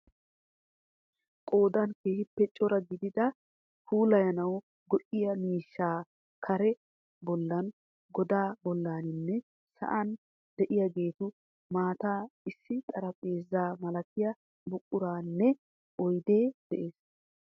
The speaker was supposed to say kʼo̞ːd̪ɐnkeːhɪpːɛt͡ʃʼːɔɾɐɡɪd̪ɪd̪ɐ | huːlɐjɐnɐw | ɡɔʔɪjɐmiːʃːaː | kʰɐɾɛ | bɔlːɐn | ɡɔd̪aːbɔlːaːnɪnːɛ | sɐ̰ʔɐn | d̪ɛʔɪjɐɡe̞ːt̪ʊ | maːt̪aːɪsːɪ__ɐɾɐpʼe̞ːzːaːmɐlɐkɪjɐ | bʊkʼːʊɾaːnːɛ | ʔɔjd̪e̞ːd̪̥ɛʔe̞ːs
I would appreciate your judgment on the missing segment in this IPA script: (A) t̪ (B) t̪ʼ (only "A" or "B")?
B